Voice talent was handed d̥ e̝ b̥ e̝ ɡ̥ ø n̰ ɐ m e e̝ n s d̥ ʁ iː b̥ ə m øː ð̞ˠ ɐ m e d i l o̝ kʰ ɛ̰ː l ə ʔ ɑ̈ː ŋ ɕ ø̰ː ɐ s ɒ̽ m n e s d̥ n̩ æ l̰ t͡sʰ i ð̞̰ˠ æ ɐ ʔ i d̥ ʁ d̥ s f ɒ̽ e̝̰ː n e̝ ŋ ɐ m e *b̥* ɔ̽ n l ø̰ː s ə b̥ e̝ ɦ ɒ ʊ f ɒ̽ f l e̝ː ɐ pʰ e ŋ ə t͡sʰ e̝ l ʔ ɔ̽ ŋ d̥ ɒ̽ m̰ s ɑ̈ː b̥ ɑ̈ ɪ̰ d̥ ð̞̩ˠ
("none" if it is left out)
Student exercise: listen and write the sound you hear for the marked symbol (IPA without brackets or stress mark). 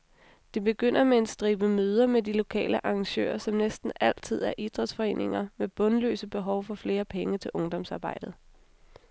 b̥